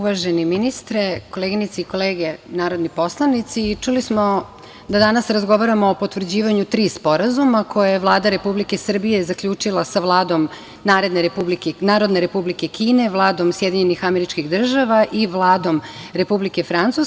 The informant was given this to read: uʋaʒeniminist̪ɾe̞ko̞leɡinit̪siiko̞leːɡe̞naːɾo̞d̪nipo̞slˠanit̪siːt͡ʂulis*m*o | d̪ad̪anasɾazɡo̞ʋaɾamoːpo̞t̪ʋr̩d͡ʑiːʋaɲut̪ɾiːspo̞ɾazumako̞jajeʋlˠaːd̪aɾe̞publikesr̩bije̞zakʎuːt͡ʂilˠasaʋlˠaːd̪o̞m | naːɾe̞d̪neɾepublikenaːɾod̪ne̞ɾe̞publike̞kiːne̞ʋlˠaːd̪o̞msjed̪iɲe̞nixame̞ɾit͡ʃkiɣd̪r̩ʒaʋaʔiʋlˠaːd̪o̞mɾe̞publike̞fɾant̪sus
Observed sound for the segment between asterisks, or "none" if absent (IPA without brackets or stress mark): m